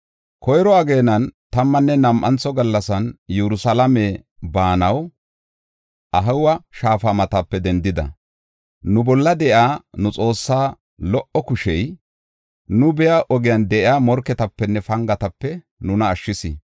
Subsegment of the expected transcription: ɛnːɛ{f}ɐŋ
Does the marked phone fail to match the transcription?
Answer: no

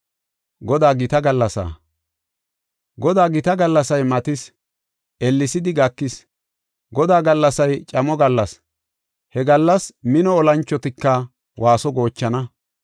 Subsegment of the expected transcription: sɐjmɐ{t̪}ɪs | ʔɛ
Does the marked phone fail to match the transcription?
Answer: no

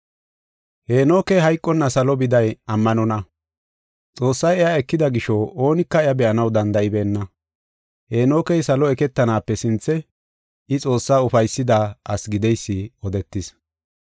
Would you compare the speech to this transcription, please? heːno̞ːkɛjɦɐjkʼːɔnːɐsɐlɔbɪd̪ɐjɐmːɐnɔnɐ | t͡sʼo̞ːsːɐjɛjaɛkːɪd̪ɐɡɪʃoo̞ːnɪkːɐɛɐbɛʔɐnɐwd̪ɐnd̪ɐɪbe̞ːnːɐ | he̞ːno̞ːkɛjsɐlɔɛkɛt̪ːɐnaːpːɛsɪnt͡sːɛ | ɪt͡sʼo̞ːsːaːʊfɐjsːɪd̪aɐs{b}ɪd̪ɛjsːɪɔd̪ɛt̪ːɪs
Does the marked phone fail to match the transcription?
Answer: yes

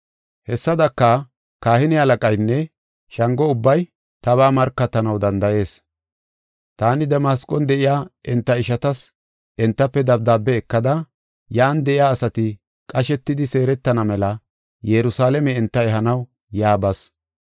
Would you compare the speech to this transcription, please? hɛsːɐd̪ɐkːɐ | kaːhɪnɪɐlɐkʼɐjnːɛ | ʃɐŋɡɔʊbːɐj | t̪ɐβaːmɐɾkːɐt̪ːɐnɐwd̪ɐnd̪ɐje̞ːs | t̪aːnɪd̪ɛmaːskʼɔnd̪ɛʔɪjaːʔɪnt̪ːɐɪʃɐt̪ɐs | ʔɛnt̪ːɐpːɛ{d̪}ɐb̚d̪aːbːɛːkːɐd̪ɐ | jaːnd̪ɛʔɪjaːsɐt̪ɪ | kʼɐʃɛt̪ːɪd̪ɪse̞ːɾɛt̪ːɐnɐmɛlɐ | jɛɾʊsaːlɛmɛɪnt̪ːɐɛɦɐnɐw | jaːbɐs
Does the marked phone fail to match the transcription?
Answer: no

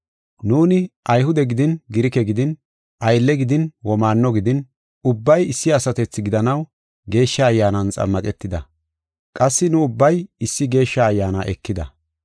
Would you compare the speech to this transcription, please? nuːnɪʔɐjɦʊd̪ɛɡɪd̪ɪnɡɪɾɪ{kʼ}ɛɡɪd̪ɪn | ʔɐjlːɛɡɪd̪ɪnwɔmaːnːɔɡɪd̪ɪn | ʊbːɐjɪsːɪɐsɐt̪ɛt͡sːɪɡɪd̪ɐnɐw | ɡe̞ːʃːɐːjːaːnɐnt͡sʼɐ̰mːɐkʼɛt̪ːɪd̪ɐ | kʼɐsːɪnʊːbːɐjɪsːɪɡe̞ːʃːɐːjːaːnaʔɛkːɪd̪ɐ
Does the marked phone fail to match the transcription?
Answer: yes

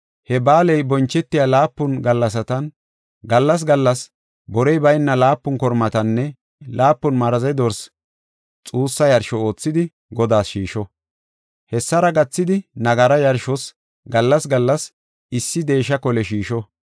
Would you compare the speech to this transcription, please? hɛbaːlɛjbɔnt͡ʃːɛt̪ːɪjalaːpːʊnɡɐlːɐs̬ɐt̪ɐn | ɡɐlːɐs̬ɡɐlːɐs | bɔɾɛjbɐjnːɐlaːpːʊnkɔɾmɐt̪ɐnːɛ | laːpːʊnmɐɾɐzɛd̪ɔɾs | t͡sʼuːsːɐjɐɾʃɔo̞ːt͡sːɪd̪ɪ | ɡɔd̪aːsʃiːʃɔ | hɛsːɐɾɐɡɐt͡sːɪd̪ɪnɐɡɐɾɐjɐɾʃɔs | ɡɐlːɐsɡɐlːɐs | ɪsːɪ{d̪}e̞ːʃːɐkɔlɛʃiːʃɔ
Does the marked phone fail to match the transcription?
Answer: no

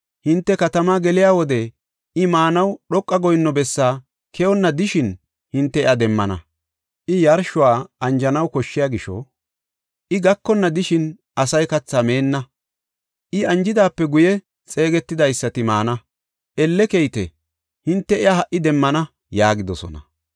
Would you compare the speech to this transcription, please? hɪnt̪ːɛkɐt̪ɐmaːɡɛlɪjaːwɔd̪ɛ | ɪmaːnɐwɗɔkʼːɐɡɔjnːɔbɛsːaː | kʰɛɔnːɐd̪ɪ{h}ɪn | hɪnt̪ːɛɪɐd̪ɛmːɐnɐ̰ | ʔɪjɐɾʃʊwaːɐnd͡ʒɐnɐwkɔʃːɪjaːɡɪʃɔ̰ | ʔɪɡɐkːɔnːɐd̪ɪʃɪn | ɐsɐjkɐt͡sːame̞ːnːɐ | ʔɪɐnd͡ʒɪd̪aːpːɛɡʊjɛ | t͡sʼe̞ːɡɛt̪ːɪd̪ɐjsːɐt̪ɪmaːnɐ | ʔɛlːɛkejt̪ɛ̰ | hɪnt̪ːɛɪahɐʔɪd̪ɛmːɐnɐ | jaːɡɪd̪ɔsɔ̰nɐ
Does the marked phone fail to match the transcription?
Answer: yes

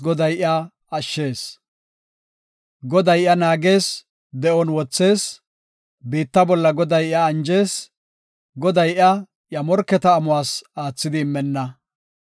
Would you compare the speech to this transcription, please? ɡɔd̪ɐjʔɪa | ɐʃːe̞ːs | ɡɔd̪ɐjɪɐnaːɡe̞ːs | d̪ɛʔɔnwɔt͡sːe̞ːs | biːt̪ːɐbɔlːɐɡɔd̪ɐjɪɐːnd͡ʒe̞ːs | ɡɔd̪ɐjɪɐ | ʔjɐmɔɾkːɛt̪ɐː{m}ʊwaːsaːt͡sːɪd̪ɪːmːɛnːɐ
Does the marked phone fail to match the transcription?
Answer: no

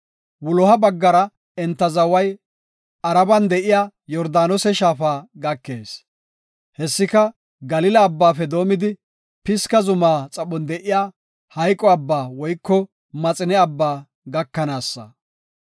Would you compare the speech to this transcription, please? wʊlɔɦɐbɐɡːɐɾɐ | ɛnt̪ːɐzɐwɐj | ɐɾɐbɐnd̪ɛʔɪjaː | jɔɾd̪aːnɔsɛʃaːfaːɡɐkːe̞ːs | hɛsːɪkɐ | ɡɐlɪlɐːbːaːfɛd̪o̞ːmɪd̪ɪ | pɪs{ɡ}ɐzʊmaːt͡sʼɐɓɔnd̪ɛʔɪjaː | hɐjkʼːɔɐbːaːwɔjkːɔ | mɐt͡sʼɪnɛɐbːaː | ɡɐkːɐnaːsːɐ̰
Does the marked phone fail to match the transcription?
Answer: yes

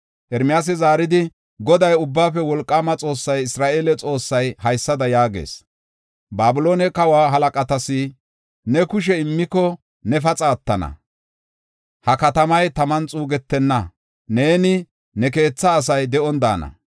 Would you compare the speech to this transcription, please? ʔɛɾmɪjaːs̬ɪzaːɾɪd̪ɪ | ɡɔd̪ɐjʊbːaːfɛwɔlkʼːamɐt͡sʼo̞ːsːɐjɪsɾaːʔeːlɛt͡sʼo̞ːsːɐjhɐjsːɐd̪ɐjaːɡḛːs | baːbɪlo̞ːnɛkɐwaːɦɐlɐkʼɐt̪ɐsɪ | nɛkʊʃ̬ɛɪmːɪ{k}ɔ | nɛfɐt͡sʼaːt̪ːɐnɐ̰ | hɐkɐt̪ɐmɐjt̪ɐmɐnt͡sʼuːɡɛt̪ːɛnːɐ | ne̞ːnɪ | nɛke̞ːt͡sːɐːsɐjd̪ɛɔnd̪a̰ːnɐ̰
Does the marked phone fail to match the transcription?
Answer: no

